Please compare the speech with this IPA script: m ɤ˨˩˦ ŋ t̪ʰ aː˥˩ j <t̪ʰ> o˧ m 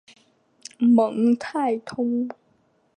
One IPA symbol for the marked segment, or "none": t̪ʰ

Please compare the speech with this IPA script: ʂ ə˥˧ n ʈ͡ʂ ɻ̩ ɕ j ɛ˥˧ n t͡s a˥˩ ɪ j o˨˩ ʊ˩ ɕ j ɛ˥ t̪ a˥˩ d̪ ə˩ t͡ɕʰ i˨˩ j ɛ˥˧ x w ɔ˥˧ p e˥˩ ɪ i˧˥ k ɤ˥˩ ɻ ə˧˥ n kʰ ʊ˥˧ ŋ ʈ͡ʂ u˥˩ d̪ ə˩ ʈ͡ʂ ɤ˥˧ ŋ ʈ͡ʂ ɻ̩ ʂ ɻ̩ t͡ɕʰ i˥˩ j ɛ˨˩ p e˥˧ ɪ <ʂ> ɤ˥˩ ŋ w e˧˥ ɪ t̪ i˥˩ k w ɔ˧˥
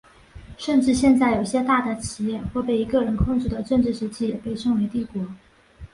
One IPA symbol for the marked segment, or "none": ʂ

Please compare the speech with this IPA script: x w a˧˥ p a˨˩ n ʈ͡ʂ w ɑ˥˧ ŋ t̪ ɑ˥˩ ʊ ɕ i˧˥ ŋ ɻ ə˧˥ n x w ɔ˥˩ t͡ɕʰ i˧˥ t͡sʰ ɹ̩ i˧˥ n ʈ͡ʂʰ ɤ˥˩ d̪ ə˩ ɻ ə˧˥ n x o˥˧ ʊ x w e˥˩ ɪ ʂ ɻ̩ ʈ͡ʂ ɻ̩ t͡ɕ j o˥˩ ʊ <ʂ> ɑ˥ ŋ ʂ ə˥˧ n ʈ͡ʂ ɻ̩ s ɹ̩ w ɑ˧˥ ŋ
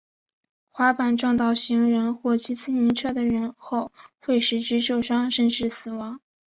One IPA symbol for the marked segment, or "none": ʂ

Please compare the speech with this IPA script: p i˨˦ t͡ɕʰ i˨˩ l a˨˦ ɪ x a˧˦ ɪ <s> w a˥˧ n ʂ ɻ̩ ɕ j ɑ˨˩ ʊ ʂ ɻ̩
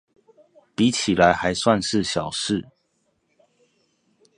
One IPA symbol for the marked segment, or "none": s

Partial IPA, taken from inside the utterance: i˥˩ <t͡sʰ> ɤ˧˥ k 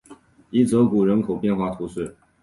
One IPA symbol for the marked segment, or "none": t͡s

